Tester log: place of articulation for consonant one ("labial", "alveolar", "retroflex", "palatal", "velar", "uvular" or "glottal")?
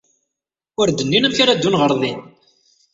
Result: alveolar